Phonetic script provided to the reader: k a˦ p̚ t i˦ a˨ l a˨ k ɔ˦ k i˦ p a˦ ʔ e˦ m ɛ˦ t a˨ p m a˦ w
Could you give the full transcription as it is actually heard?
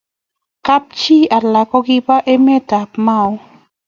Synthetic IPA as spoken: k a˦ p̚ t͡ʃ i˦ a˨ l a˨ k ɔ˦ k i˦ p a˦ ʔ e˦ m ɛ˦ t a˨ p m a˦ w